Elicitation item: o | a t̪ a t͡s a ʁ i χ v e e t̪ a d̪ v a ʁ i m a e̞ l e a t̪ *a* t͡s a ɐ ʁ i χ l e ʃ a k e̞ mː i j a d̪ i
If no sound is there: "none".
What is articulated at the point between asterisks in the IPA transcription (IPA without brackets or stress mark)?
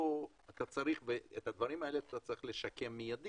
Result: a